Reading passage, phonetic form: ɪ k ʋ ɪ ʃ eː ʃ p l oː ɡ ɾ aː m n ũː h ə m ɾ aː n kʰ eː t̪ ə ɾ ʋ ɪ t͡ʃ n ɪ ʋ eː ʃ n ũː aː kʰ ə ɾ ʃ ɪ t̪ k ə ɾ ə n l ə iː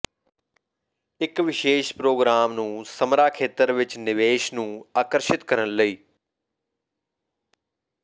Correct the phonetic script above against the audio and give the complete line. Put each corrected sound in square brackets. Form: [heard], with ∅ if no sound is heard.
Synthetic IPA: ɪ k ʋ ɪ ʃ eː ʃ p [ɾ] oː ɡ ɾ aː m n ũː [s] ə m ɾ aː [∅] kʰ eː t̪ ə ɾ ʋ ɪ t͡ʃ n ɪ ʋ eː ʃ n ũː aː [k] ə ɾ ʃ ɪ t̪ k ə ɾ ə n l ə iː